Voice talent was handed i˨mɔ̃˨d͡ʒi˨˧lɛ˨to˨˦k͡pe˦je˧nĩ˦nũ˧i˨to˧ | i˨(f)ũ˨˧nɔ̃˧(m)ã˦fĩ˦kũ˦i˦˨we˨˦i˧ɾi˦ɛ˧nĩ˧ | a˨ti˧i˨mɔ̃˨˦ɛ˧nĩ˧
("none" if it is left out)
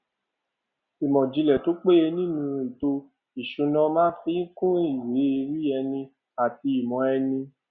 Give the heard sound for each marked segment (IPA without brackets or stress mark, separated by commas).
ʃ, m